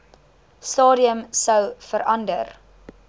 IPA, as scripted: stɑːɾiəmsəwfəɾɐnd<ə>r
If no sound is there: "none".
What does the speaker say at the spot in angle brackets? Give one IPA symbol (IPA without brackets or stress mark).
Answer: ə